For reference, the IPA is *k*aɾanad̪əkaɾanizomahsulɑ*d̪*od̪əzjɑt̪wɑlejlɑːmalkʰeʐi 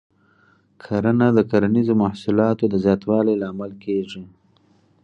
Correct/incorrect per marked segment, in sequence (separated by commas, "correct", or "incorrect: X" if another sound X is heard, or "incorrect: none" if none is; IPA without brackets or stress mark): incorrect: kʰ, incorrect: t̪